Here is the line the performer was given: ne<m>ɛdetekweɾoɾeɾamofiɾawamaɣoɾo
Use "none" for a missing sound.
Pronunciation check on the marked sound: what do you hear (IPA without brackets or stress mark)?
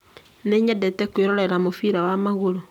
ɲ